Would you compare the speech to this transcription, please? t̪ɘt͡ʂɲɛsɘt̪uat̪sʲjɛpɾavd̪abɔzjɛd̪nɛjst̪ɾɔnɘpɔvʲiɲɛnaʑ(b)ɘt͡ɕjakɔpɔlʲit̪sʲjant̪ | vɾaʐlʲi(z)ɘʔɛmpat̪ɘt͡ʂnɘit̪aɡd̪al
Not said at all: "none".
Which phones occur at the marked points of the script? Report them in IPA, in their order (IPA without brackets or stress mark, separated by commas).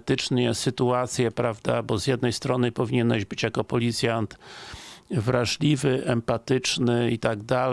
b, v